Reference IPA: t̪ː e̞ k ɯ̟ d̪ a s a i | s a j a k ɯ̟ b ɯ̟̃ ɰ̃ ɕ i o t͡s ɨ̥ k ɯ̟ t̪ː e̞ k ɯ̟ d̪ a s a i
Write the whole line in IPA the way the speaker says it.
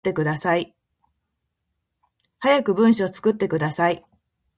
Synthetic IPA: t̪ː e̞ k ɯ̟ d̪ a s a i | h a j a k ɯ̟ b ɯ̟̃ ɰ̃ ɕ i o t͡s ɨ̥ k ɯ̟ t̪ː e̞ k ɯ̟ d̪ a s a i